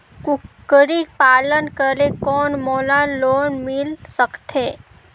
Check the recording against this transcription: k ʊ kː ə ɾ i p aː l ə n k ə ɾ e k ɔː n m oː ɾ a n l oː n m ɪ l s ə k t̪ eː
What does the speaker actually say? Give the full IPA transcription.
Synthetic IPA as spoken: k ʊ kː ə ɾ i p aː l ə n k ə ɾ e k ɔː n m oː l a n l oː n m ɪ l s ə k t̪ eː